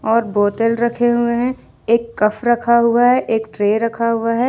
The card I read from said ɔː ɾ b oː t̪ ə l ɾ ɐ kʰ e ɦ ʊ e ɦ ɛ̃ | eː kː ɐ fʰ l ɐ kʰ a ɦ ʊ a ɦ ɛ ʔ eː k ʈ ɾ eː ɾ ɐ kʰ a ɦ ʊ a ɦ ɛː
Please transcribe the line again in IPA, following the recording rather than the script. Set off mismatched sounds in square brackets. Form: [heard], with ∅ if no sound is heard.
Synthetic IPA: ɔː ɾ b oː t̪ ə l ɾ ɐ kʰ e ɦ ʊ e ɦ ɛ̃ | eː kː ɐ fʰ [ɾ] ɐ kʰ a ɦ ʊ a ɦ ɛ ʔ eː k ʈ ɾ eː ɾ ɐ kʰ a ɦ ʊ a ɦ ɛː